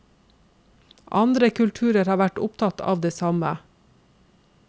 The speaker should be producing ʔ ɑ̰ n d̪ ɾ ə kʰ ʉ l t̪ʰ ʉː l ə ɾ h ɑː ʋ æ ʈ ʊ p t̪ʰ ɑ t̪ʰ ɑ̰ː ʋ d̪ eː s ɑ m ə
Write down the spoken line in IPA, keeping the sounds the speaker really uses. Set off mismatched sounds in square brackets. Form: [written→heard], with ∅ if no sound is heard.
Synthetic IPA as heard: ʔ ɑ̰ n d̪ ɾ ə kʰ ʉ l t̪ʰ ʉː [l→ɾ] ə ɾ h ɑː ʋ æ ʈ ʊ p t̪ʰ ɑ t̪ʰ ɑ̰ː ʋ d̪ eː s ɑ m ə